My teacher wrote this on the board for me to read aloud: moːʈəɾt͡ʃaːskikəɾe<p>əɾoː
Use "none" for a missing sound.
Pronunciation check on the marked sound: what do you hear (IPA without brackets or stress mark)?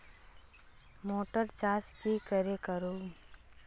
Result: k